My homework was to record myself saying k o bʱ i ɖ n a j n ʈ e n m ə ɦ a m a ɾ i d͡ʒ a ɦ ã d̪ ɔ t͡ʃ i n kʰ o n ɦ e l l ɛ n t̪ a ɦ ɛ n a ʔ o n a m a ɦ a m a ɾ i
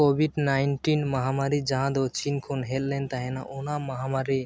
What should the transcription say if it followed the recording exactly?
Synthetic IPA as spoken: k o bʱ i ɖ n a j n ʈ i n m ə ɦ a m a ɾ i d͡ʒ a ɦ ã d̪ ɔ t͡ʃ i n kʰ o n ɦ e l l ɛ n t̪ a ɦ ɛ n a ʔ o n a m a ɦ a m a ɾ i